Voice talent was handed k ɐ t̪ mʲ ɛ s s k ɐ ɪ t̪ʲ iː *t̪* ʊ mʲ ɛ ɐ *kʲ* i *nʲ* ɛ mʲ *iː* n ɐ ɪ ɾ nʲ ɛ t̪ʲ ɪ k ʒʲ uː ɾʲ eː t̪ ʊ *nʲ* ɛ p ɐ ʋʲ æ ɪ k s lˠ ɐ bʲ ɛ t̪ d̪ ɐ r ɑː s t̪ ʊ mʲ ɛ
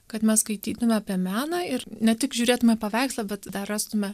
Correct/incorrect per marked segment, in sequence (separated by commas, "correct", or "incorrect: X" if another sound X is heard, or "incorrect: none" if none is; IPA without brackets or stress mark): correct, incorrect: pʲ, incorrect: none, incorrect: æː, incorrect: mʲ